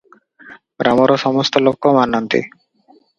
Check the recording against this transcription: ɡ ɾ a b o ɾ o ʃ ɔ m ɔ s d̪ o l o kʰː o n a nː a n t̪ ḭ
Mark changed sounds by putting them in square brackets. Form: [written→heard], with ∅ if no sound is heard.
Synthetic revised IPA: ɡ ɾ a [b→m] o ɾ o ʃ ɔ m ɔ s [d̪→t̪] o l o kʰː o [n→m] a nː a n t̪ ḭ

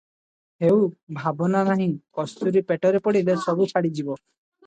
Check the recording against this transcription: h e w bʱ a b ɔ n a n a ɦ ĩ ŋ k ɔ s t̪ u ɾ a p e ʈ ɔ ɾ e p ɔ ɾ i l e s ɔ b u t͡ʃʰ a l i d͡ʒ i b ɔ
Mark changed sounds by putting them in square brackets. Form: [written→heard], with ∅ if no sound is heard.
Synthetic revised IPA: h e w bʱ a b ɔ n a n a ɦ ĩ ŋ k ɔ s t̪ u ɾ [a→i] p e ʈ ɔ ɾ e p ɔ [ɾ→ɽ] i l e s ɔ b u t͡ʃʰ a [l→ɽ] i d͡ʒ i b ɔ

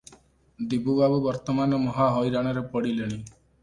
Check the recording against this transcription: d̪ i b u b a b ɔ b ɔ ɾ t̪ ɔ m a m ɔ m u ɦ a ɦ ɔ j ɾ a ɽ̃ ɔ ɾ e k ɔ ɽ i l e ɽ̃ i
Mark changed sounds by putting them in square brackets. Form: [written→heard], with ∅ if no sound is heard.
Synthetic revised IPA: d̪ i b u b a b [ɔ→u] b ɔ ɾ t̪ ɔ m a [m→n] ɔ m [u→ɔ] ɦ a ɦ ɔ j ɾ a ɽ̃ ɔ ɾ e [k→p] ɔ ɽ i l e ɽ̃ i

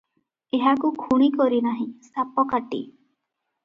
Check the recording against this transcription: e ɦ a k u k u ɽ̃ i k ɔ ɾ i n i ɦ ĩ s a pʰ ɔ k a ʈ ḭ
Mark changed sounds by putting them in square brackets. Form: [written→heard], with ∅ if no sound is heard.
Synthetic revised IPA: e ɦ a k u [k→kʰ] u ɽ̃ i k ɔ ɾ i n [i→a] ɦ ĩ s a [pʰ→p] ɔ k a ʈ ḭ

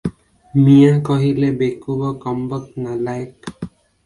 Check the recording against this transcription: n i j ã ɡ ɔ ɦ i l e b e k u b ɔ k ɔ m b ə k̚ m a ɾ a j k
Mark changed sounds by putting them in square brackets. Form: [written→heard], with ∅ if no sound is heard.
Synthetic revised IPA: [n→m] i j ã [ɡ→k] ɔ ɦ i l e b e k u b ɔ k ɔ m b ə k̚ [m→n] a [ɾ→l] a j k

